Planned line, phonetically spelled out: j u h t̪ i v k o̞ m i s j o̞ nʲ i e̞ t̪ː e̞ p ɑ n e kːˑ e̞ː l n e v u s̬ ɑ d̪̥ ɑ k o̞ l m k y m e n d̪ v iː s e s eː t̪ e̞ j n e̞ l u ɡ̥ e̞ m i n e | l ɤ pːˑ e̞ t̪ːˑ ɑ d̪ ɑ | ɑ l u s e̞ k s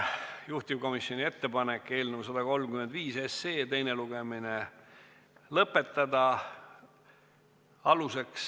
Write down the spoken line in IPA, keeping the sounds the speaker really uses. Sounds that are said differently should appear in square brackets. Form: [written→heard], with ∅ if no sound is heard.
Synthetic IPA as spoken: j u h t̪ i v k o̞ m i s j o̞ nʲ i e̞ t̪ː e̞ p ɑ n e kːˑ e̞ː l n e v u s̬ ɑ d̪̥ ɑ k o̞ l m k y m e n d̪ v iː s e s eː t̪ e̞ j n e̞ l u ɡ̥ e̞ m i n e | l ɤ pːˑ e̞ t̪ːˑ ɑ d̪ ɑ | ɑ l u s e̞ k s